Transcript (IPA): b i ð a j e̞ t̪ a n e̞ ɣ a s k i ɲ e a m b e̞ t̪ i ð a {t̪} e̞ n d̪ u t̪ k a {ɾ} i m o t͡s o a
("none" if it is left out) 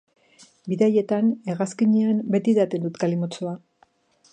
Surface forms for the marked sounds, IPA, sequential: t̪, l

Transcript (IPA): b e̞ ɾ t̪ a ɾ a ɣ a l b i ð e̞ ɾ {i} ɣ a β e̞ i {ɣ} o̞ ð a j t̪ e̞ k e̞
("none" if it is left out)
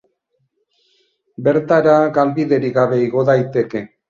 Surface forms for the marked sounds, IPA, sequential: i, ɣ

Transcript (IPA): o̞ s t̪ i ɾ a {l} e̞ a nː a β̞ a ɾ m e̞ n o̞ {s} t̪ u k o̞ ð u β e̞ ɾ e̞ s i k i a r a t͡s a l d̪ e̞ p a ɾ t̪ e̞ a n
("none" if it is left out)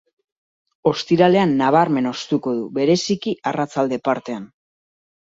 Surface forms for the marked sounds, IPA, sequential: l, s

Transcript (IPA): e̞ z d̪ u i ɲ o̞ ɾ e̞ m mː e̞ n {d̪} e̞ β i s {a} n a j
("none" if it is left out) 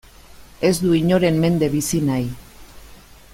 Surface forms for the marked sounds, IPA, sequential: d̪, i

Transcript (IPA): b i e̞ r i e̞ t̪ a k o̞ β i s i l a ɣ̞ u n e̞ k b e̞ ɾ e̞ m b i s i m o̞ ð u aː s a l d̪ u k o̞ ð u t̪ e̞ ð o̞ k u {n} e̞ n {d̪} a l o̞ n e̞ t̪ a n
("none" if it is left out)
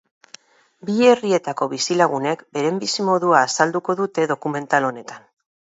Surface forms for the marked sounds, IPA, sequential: m, t̪

